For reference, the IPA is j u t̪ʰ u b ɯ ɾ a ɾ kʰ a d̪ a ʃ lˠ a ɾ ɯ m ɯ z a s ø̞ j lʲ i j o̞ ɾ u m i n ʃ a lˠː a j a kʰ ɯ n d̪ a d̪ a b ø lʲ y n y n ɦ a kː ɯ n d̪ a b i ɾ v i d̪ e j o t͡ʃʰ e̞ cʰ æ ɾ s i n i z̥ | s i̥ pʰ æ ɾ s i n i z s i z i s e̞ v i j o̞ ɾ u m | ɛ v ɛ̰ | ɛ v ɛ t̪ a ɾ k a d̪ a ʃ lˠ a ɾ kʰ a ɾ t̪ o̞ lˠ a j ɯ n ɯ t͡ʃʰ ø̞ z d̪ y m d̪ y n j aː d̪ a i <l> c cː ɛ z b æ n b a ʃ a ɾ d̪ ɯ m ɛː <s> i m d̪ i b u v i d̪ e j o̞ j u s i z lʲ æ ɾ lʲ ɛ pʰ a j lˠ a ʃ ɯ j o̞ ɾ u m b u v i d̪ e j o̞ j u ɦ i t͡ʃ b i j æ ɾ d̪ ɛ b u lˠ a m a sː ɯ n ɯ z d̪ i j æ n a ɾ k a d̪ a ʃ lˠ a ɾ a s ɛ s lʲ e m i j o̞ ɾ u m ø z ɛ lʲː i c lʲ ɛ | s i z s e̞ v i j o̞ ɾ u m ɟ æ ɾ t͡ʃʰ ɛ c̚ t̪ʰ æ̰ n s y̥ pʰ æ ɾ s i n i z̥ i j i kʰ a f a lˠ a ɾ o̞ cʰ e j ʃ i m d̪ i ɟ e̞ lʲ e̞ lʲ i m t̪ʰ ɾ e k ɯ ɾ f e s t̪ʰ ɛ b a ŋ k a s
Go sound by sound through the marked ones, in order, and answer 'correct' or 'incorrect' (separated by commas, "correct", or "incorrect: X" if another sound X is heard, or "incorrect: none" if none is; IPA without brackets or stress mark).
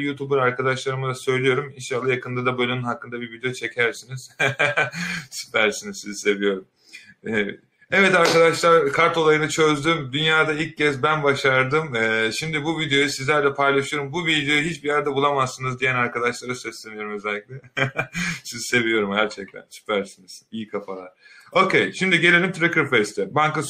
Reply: correct, incorrect: ʃ